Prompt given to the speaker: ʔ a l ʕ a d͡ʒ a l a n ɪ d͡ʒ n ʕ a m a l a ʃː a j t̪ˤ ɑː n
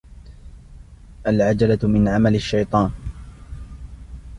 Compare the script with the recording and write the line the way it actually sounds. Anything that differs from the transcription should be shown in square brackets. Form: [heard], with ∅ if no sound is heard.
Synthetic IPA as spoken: ʔ a l ʕ a d͡ʒ a l a [m] ɪ [∅] n ʕ a m a l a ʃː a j t̪ˤ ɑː n

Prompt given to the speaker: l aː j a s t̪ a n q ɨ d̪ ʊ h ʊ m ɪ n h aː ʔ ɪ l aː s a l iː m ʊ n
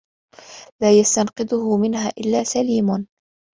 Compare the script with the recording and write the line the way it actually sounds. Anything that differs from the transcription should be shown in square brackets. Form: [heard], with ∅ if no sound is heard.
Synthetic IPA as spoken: l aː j a s t̪ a n q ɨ d̪ ʊ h ʊ m ɪ n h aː ʔ ɪ [lː] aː s a l iː m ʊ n

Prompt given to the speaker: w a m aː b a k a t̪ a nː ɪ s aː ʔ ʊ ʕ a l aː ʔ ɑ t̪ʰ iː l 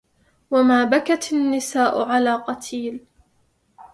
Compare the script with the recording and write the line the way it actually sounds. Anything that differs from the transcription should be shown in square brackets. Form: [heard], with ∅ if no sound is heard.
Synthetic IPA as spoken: w a m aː b a k a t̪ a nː ɪ s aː ʔ ʊ ʕ a l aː [q] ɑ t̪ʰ iː l

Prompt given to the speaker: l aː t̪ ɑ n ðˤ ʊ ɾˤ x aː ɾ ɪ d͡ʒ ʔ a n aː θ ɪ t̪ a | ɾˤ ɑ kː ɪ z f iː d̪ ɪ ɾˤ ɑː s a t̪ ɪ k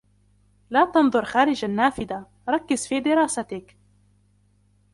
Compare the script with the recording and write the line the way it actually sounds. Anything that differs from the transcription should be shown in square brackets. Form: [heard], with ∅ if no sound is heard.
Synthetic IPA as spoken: l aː t̪ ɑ n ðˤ ʊ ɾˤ x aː ɾ ɪ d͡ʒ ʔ a [nː] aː [f] ɪ [d̪] a | ɾˤ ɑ kː ɪ z f iː d̪ ɪ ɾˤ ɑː s a t̪ ɪ k

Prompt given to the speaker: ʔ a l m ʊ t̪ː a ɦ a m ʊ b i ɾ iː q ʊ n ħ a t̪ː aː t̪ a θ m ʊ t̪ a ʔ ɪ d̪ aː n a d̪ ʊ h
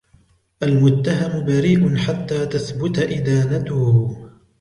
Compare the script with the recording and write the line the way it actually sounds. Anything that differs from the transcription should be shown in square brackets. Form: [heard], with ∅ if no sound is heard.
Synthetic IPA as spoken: ʔ a l m ʊ t̪ː a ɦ a m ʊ b [a] ɾ iː [ʔ] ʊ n ħ a t̪ː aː t̪ a θ [b] ʊ t̪ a ʔ ɪ d̪ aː n a [t̪] ʊ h

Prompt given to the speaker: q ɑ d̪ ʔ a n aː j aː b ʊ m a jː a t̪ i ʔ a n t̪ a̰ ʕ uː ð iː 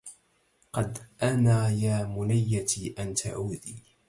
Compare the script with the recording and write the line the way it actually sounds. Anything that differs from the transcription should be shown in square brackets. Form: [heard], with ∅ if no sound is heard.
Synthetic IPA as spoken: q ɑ d̪ ʔ a n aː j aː [m] ʊ [n] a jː a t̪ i ʔ a n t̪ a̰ ʕ uː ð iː

